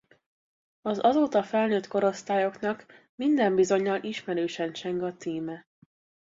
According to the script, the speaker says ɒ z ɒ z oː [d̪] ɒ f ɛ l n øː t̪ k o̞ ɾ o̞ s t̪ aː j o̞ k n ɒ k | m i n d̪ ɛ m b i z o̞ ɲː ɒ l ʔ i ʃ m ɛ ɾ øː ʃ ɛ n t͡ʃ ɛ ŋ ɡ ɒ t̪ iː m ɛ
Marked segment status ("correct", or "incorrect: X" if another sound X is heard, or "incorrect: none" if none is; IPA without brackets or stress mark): incorrect: t̪